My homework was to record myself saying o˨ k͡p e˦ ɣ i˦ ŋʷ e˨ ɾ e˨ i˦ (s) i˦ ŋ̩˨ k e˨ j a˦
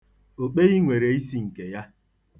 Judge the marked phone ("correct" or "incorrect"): correct